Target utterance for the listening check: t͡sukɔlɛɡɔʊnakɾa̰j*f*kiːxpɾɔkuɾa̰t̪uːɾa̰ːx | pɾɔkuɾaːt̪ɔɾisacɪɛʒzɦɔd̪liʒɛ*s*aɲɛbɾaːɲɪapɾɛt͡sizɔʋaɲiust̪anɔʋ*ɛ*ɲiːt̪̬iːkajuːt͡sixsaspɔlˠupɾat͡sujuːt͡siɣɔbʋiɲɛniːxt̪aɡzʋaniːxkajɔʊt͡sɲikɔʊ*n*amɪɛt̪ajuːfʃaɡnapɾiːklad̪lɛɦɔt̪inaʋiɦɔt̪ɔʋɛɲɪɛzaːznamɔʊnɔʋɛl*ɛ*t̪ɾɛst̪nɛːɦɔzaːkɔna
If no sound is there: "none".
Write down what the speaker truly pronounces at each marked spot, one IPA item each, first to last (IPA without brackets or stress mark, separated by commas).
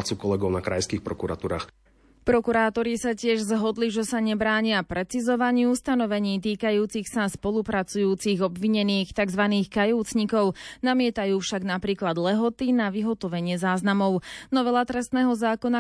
s, s, ɛ, n, a